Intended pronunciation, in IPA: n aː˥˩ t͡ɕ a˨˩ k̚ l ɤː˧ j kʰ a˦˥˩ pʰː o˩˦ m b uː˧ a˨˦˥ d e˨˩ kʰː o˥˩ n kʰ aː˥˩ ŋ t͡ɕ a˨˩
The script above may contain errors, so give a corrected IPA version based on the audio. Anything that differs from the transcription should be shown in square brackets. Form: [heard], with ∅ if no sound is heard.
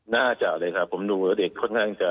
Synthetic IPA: n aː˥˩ t͡ɕ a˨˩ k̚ l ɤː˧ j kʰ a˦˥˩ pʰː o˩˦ m [d] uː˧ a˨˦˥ d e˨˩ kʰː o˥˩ n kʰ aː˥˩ ŋ t͡ɕ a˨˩